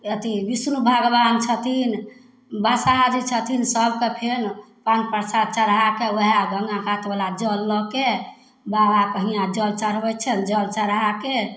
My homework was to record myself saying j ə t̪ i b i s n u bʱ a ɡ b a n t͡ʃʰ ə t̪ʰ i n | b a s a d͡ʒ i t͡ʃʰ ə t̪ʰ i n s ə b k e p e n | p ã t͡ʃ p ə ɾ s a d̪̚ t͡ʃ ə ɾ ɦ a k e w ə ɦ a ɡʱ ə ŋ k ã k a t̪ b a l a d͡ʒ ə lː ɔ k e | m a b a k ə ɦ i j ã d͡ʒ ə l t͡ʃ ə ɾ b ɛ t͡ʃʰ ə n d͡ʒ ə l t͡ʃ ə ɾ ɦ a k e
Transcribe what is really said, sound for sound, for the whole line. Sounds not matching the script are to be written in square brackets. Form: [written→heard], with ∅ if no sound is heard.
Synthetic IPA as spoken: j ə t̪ i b i s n u bʱ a ɡ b a n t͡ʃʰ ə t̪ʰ i n | b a s a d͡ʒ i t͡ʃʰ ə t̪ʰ i n s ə b k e [p→pʰ] e n | p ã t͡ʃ p ə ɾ s a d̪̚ t͡ʃ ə ɾ ɦ a k e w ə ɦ a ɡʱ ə ŋ [k→ɡ] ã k a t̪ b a l a d͡ʒ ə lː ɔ k e | [m→b] a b a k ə ɦ i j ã d͡ʒ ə l t͡ʃ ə ɾ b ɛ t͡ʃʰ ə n d͡ʒ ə l t͡ʃ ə ɾ ɦ a k e